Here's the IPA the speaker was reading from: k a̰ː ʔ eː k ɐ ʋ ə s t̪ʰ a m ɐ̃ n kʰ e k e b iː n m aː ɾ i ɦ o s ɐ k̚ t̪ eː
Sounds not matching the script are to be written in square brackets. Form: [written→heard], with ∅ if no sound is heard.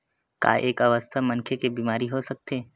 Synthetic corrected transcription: k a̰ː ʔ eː k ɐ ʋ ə s t̪ʰ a m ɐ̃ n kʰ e k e b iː [n→∅] m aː ɾ i ɦ o s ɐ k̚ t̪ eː